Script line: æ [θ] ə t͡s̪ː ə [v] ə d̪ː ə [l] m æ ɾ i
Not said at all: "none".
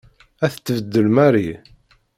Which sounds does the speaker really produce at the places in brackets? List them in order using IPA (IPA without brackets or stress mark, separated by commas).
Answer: θ, v, l